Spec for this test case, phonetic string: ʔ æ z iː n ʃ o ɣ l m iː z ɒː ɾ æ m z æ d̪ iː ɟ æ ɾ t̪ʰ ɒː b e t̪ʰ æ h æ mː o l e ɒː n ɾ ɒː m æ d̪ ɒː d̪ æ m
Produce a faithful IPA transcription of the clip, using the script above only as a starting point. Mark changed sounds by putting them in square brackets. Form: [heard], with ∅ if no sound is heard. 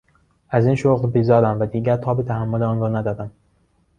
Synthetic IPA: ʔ æ z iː n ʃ o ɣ l [b] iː z ɒː ɾ æ m [v] æ d̪ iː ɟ æ ɾ t̪ʰ ɒː b e t̪ʰ æ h æ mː o l e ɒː n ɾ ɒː [n] æ d̪ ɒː d̪ æ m

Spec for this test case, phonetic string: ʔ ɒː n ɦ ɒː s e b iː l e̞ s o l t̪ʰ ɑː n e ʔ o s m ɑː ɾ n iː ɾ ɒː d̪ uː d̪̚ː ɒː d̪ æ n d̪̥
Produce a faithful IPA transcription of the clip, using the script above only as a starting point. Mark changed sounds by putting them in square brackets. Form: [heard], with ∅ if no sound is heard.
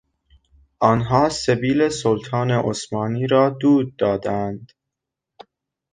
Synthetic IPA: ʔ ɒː n ɦ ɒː s e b iː l e̞ s o l t̪ʰ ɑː n e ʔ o s m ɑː [∅] n iː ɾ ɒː d̪ uː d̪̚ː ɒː d̪ æ n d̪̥

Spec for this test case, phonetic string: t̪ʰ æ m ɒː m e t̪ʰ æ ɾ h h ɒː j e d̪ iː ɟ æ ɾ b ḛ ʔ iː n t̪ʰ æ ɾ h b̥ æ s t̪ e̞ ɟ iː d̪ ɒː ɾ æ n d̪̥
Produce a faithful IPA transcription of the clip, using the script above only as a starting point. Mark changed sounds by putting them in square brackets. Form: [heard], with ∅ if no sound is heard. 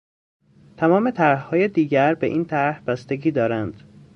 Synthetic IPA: t̪ʰ æ m ɒː m e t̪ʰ æ ɾ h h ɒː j e d̪ iː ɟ æ ɾ b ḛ ʔ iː n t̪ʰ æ ɾ h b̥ æ s t̪ e̞ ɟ iː d̪ ɒː ɾ æ n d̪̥

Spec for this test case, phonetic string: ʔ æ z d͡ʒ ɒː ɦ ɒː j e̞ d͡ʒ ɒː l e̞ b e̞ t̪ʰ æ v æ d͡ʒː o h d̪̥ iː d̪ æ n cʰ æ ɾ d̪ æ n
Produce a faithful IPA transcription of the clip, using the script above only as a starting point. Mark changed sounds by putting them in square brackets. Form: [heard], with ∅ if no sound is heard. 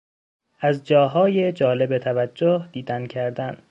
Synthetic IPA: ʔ æ z d͡ʒ ɒː ɦ ɒː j e̞ d͡ʒ ɒː l e̞ b e̞ t̪ʰ æ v æ d͡ʒː o h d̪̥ iː d̪ æ n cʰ æ ɾ d̪ æ n

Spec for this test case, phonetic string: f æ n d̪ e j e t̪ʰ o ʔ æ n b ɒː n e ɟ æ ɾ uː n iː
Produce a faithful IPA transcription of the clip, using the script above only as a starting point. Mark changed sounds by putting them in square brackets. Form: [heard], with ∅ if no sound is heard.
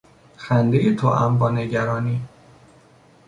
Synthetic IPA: [x] æ n d̪ e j e t̪ʰ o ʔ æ [m] b ɒː n e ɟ æ ɾ [ɒː] n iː

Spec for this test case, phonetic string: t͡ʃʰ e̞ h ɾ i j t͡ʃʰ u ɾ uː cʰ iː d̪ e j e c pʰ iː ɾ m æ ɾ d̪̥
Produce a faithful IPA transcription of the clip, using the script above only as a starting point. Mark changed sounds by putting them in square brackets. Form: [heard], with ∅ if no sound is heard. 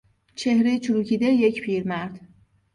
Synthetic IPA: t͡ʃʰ e̞ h ɾ [e] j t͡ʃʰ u ɾ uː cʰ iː d̪ e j e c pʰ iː ɾ m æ ɾ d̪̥

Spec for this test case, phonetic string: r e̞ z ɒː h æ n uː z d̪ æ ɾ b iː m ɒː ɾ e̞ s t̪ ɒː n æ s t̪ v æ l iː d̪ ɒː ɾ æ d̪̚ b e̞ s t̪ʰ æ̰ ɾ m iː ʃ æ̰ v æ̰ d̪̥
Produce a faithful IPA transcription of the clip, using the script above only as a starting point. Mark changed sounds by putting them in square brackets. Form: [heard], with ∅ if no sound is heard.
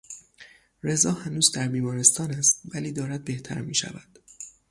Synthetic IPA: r e̞ z ɒː h æ n uː z d̪ æ ɾ b iː m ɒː ɾ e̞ s t̪ ɒː n æ s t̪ v æ l iː d̪ ɒː ɾ æ d̪̚ b e̞ [h] t̪ʰ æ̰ ɾ m iː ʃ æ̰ v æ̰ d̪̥

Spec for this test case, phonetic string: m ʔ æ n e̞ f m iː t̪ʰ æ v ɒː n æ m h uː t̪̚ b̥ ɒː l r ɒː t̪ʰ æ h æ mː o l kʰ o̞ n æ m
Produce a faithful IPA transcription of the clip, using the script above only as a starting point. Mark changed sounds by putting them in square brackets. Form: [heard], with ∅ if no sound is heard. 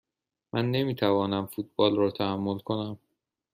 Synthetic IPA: m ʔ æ [nː] e̞ [∅] m iː t̪ʰ æ v ɒː n æ m [f] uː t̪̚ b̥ ɒː l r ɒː t̪ʰ æ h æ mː o l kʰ o̞ n æ m

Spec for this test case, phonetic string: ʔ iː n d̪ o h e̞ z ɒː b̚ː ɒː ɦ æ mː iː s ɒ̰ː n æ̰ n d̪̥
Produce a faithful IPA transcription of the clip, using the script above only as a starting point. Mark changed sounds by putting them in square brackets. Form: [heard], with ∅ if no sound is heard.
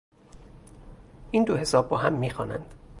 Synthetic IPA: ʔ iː n d̪ o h e̞ [s] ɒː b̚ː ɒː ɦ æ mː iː [x] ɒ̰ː n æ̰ n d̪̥

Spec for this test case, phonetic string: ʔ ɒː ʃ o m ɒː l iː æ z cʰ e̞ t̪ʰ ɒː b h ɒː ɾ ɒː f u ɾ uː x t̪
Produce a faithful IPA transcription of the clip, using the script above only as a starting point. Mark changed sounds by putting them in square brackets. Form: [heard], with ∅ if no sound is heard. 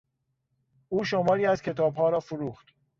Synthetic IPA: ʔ [uː] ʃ o m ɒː [ɾ] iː æ z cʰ e̞ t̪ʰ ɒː b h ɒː ɾ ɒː f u ɾ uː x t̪

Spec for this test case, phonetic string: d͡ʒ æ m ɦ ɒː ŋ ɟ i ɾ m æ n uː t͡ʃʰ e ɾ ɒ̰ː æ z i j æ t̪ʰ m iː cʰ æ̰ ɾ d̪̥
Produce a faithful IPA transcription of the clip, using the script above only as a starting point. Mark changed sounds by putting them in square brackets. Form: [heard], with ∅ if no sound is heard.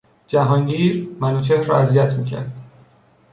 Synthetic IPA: d͡ʒ æ [∅] ɦ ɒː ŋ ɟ [iː] ɾ m æ n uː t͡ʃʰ e ɾ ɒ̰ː æ z i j æ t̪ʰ m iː cʰ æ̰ ɾ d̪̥

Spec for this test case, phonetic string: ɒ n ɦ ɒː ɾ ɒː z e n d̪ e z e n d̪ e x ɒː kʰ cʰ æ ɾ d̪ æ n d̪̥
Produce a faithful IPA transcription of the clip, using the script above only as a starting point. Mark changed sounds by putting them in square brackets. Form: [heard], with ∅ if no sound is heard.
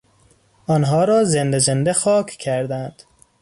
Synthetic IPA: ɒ n ɦ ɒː ɾ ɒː z e n d̪ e z e n d̪ e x ɒː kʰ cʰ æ ɾ d̪ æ n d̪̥

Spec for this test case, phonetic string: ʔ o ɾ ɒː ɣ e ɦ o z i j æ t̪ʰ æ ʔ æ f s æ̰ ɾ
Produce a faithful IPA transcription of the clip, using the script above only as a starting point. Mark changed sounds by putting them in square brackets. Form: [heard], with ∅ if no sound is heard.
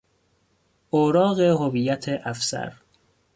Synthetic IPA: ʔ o ɾ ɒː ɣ e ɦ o [v] i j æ t̪ʰ [e] ʔ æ f s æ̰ ɾ

